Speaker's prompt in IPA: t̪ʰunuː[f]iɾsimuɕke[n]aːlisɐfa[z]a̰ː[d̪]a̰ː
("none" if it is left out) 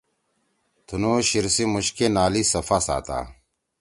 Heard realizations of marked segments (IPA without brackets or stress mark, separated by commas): ɕ, n, s, t̪